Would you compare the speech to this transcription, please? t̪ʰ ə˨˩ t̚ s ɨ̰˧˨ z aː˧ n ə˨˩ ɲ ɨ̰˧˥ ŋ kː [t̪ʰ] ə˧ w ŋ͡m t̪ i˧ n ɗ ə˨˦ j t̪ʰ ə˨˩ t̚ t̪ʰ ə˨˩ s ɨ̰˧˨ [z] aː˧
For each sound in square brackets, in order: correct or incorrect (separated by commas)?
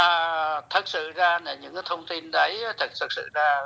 correct, correct